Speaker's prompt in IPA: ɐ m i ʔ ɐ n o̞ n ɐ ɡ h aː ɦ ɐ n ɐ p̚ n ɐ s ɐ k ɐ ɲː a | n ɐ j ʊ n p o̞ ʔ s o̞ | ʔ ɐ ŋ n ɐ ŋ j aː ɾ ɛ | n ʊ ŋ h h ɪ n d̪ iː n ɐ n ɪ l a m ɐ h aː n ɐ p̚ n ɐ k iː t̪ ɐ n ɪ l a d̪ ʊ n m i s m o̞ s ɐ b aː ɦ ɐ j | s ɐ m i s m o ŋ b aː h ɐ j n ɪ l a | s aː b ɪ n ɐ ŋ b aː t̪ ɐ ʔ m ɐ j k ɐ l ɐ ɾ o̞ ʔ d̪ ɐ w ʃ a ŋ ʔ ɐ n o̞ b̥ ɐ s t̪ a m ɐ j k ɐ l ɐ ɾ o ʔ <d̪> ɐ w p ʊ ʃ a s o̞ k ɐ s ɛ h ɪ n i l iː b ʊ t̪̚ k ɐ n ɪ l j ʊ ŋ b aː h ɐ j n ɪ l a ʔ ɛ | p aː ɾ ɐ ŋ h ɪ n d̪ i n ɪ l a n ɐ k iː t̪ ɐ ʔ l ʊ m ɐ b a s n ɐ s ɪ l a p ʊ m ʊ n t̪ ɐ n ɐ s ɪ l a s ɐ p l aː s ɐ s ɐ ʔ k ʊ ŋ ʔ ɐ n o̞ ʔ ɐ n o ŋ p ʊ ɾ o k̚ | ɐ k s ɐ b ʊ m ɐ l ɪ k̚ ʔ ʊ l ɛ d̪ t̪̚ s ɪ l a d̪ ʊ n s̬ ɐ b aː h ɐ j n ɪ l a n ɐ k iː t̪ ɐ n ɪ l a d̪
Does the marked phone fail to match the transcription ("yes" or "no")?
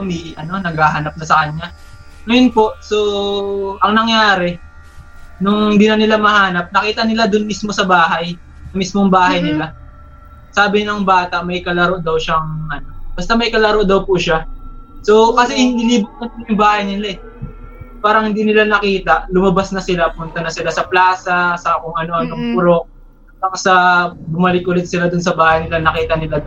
no